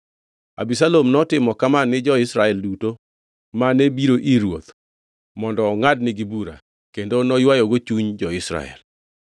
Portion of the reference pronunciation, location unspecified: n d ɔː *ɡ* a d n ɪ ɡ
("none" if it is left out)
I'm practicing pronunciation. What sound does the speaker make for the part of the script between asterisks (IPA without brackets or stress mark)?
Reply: ŋ